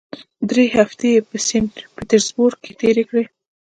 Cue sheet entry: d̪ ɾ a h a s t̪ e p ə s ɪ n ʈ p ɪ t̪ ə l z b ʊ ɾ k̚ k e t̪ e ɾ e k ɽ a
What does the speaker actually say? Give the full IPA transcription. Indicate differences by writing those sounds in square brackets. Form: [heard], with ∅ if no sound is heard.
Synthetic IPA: d̪ ɾ [e] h a [f] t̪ e p ə s ɪ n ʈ p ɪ t̪ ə [ɾ] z b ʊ ɾ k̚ k e t̪ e ɾ e k ɽ [e]